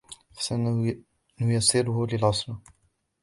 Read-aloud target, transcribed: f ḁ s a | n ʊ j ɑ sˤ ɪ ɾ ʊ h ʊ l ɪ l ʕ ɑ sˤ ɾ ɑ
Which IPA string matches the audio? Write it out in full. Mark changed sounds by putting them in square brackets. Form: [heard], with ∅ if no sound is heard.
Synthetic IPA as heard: f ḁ s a | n ʊ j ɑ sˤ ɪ ɾ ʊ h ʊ l ɪ l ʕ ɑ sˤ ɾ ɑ